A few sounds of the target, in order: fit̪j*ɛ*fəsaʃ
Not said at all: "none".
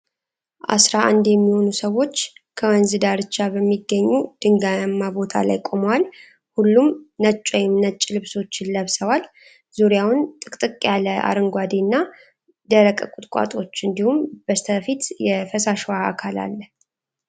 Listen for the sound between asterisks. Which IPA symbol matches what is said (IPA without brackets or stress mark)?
ɛ